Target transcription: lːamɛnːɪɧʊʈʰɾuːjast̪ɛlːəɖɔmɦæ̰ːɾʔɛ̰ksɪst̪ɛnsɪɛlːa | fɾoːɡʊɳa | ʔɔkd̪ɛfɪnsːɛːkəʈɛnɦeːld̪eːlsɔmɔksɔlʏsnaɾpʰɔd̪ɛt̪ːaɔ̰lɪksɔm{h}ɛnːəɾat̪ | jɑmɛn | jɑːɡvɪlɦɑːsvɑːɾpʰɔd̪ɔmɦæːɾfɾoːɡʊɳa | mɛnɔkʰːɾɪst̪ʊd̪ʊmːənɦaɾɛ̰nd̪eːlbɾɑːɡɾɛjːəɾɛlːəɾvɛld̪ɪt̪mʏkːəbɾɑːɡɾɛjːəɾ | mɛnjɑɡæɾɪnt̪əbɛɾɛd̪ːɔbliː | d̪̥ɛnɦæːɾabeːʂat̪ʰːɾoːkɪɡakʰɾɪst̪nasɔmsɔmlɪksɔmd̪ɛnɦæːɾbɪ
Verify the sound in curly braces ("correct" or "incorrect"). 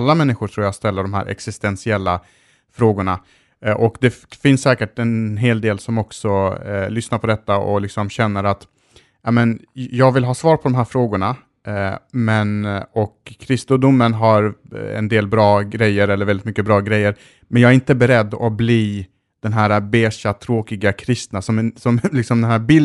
incorrect